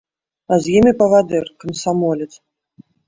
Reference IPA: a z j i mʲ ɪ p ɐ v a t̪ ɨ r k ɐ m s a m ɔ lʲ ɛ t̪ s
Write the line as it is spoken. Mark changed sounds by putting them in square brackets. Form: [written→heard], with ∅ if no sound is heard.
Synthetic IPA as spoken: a z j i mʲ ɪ p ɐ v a [t̪→d̪] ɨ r k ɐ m s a m ɔ lʲ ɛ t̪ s